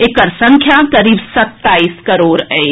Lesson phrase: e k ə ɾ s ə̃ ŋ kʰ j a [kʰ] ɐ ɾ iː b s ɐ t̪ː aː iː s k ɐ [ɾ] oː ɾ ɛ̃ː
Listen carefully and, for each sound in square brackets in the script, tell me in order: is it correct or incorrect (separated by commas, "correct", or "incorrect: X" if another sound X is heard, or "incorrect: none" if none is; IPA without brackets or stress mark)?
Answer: incorrect: k, correct